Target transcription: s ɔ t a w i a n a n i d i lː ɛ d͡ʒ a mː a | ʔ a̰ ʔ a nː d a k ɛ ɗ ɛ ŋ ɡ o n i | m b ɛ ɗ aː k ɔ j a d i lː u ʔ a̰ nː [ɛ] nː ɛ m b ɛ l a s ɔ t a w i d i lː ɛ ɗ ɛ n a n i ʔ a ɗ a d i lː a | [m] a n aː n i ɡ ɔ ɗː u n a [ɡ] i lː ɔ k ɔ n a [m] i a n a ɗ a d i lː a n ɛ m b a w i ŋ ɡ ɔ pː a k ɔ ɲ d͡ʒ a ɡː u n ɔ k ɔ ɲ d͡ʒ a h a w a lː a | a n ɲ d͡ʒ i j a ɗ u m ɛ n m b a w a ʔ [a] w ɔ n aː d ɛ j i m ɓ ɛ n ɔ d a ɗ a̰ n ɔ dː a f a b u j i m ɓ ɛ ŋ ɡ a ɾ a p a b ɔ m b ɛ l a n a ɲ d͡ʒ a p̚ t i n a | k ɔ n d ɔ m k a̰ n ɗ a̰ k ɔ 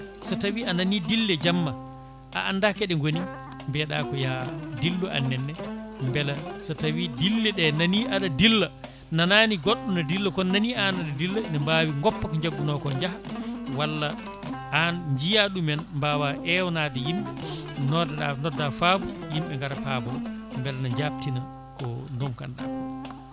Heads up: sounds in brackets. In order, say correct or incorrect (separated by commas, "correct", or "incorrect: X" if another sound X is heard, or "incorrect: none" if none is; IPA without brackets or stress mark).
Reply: correct, incorrect: n, incorrect: d, incorrect: n, incorrect: ɛ